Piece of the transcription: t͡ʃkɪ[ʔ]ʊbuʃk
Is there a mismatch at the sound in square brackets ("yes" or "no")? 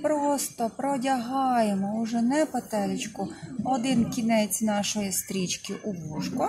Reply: no